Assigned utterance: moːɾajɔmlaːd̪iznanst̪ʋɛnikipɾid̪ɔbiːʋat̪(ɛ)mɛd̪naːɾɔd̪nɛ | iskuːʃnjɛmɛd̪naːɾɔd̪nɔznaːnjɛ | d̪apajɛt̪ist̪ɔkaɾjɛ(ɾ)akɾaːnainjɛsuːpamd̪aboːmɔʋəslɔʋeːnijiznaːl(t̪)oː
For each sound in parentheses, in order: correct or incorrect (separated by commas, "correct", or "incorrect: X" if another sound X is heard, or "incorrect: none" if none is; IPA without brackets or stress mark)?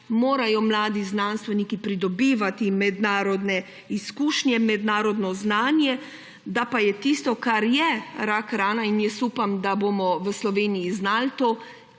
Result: incorrect: i, correct, correct